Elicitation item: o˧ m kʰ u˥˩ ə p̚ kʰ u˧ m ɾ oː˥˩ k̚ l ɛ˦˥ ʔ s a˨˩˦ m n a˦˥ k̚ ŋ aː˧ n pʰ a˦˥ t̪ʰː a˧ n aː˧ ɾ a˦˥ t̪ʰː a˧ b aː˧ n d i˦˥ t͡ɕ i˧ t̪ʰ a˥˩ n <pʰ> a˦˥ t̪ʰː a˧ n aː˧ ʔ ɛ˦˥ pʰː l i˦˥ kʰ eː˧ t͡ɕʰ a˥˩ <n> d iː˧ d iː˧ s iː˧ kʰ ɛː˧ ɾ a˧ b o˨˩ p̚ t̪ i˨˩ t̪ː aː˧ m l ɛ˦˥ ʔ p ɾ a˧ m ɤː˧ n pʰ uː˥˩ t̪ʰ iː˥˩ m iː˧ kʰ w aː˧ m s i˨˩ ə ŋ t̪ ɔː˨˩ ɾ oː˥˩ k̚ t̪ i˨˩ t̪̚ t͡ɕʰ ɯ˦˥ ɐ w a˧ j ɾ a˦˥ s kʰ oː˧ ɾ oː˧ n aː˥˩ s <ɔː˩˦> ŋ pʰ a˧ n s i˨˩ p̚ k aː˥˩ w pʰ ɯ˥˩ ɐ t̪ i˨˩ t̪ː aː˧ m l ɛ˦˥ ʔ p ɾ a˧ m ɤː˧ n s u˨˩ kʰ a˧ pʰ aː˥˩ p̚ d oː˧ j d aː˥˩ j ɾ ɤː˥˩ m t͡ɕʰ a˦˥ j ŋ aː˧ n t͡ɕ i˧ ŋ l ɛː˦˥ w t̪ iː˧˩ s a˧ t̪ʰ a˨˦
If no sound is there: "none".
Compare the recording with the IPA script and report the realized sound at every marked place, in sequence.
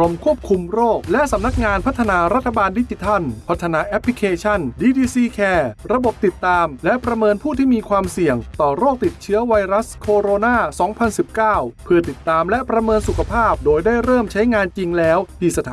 pʰ, n, ɔː˩˦

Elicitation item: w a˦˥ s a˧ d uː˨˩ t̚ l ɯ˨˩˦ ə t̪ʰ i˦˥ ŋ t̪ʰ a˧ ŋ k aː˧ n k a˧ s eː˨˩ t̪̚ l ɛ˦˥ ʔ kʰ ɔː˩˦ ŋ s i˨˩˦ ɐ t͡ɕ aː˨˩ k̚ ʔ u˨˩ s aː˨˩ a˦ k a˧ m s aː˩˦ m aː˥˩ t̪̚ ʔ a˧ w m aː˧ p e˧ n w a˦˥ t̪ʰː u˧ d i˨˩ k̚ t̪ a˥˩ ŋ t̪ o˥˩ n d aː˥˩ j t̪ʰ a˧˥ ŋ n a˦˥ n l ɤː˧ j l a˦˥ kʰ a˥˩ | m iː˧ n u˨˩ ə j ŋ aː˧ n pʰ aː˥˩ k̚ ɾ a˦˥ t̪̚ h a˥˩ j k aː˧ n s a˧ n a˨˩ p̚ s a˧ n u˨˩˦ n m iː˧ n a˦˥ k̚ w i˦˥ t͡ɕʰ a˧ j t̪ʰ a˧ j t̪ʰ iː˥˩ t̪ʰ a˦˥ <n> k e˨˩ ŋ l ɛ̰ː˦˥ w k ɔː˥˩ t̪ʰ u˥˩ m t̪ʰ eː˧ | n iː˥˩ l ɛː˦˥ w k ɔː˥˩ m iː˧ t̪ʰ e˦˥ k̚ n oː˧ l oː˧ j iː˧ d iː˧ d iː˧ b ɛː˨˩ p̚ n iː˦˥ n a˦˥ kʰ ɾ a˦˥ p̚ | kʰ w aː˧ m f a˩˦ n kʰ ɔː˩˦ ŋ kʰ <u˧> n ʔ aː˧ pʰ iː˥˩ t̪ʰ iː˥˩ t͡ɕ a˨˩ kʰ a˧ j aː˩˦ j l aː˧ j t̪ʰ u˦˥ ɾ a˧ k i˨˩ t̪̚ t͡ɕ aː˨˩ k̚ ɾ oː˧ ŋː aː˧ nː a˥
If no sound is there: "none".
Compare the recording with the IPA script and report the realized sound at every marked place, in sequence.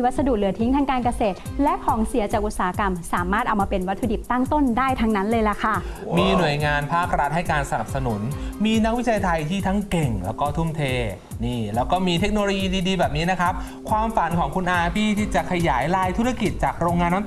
ŋ, u˧

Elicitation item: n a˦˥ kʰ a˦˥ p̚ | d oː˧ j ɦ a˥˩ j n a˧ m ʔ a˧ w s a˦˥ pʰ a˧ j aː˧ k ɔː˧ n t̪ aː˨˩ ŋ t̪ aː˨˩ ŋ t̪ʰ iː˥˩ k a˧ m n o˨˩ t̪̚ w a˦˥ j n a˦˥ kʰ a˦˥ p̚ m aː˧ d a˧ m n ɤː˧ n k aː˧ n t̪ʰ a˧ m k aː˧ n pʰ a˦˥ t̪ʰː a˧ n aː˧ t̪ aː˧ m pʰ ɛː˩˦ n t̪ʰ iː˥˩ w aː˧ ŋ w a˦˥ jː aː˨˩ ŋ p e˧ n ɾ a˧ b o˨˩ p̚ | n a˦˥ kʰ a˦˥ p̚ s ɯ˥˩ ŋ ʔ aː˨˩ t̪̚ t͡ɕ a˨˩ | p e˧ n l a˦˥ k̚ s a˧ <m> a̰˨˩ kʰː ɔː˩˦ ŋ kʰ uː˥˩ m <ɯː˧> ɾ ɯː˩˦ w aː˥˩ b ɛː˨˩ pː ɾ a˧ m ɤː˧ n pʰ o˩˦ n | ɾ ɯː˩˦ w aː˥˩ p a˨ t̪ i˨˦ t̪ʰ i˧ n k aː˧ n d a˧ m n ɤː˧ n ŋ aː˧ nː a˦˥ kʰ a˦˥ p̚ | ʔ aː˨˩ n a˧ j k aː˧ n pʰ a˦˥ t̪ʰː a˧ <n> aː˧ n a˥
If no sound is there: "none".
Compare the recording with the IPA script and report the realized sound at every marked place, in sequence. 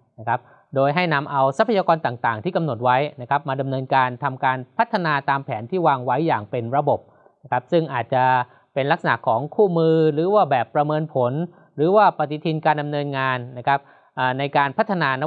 n, ɯː˧, n

